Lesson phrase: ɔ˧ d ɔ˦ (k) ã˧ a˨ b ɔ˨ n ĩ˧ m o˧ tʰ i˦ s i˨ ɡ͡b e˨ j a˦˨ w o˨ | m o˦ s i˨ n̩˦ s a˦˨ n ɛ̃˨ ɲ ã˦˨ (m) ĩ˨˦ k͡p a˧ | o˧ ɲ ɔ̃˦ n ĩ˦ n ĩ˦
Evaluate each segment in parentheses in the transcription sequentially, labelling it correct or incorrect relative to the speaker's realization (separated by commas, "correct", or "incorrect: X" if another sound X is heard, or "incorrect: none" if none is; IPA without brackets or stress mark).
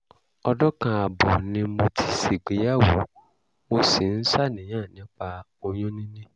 correct, incorrect: n